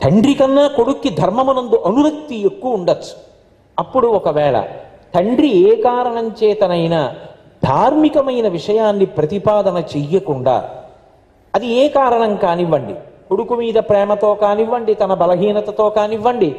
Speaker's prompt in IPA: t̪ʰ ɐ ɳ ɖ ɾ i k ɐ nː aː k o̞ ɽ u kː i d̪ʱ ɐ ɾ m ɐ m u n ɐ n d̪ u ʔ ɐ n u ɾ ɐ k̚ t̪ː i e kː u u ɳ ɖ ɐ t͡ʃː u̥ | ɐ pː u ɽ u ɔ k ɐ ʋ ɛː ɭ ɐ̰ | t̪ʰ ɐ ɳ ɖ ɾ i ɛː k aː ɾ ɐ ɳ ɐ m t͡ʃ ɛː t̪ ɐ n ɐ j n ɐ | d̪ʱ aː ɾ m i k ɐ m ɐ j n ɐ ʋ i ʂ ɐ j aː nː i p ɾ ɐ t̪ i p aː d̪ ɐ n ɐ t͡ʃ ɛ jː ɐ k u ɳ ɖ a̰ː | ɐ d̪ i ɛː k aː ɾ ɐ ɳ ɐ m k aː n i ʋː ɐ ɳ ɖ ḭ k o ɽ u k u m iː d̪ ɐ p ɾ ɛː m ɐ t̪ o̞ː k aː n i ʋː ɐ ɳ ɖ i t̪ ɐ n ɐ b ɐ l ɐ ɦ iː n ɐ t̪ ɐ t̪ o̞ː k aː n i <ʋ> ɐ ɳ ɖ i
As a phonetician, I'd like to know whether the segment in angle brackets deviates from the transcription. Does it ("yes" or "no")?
yes